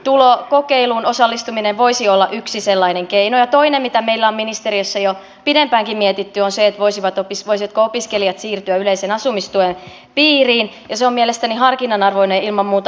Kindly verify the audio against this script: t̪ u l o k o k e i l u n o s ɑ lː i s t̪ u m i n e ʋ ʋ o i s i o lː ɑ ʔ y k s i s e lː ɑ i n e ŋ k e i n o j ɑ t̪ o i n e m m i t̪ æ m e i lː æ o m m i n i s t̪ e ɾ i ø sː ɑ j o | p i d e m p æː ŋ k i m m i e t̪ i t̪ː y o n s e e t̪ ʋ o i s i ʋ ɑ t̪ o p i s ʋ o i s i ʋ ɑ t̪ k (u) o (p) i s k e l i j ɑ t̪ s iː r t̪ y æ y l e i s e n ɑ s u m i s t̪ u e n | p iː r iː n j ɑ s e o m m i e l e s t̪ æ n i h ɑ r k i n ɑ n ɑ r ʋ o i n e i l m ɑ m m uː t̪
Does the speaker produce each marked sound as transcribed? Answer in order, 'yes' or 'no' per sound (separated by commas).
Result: no, yes